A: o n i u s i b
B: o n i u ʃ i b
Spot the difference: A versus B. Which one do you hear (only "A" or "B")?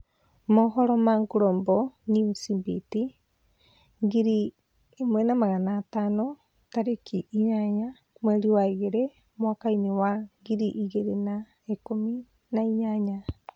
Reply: A